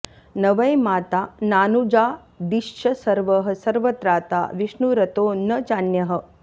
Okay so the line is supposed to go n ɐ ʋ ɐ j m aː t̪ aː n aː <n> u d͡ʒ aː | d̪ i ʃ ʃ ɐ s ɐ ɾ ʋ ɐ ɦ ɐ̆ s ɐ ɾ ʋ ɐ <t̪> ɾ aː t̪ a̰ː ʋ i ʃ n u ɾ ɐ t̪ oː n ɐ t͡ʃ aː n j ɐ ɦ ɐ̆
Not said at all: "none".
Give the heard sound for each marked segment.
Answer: n, t̪

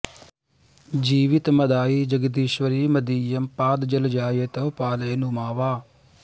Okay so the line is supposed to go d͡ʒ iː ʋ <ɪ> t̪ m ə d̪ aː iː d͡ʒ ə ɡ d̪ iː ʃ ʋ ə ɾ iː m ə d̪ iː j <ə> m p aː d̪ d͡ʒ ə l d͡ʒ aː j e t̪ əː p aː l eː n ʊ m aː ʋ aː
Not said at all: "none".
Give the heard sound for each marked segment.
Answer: ɪ, ə

